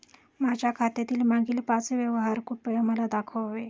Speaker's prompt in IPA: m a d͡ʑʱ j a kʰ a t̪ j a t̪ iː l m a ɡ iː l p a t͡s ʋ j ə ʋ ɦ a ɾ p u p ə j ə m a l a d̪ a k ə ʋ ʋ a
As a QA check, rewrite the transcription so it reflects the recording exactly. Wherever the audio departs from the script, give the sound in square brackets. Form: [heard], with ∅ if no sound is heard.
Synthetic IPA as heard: m a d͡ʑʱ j a kʰ a t̪ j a t̪ iː l m a ɡ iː l p a t͡s ʋ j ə ʋ ɦ a ɾ [k] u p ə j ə m [ə] l a d̪ a [kʰ] ə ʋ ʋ [e]